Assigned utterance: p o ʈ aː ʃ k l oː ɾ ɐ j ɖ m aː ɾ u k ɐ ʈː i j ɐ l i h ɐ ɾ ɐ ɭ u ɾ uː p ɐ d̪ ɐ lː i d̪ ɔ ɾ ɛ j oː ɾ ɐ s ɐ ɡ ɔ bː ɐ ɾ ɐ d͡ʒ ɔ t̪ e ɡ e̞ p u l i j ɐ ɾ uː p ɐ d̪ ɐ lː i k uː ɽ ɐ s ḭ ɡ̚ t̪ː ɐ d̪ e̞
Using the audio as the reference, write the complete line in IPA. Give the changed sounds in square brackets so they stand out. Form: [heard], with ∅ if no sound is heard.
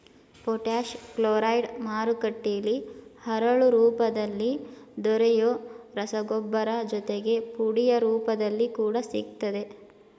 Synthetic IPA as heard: p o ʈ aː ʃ k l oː ɾ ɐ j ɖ m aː ɾ u k ɐ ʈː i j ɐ l i h ɐ ɾ ɐ ɭ u ɾ uː p ɐ d̪ ɐ lː i d̪ ɔ ɾ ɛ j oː ɾ ɐ s ɐ ɡ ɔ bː ɐ ɾ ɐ d͡ʒ ɔ t̪ e ɡ e̞ p u [ɽ] i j ɐ ɾ uː p ɐ d̪ ɐ lː i k uː ɽ ɐ s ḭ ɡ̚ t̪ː ɐ d̪ e̞